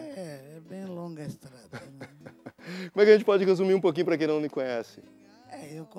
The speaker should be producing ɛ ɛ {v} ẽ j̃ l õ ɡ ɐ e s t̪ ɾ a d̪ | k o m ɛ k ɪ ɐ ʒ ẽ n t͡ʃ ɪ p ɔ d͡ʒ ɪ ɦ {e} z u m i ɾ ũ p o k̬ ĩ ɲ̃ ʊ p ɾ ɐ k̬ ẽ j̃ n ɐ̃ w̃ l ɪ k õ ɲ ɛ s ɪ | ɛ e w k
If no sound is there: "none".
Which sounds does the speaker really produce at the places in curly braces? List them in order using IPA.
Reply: b, e

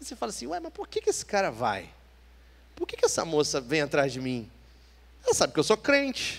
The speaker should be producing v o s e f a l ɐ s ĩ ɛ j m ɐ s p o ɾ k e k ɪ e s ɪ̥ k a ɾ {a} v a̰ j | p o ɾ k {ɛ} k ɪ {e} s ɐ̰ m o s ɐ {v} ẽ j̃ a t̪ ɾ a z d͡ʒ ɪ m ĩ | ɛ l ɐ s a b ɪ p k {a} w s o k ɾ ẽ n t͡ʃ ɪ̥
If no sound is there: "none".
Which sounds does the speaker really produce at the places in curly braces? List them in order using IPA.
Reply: ɐ, e, ɛ, v, e

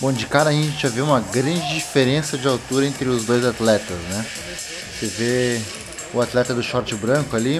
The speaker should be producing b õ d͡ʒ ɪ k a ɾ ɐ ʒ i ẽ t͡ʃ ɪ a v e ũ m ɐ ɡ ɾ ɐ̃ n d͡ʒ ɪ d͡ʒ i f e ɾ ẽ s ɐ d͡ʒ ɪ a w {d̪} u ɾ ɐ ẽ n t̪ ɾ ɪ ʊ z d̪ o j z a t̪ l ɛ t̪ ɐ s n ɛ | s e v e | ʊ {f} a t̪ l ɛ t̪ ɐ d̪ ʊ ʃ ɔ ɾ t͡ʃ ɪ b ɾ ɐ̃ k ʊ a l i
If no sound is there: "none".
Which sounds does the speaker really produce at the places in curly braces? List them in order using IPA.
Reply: t̪, none

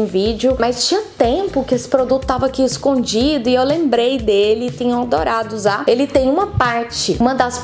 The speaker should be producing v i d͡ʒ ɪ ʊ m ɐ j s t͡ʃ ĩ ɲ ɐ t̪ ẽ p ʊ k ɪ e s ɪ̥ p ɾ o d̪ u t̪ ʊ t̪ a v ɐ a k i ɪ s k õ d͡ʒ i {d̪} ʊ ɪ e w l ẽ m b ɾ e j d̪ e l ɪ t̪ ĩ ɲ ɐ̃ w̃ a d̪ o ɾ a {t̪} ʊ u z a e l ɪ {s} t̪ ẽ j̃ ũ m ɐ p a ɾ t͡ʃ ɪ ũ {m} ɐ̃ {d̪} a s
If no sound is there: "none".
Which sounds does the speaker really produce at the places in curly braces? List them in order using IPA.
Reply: d̪, d̪, none, m, d̪

